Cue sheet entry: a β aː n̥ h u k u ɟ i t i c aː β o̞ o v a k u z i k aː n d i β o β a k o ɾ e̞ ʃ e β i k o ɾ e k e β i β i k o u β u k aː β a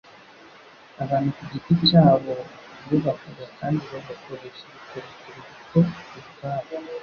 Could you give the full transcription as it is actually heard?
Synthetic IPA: a β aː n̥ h u k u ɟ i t i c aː β o̞ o β a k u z a k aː n d i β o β a k o ɾ e̞ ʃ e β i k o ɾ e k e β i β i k o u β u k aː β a